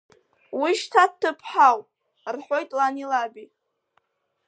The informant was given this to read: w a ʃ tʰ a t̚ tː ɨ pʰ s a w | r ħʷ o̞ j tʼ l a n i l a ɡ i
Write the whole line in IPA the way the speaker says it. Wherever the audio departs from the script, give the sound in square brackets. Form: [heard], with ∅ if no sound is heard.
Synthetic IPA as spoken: w [i] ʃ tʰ a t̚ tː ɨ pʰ [ħ] a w | r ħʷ o̞ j tʼ l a n i l a [b] i